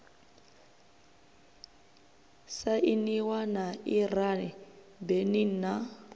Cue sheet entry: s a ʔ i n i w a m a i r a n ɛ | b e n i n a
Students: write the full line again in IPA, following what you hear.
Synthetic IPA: s a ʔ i n i w a n a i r a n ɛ | b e n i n a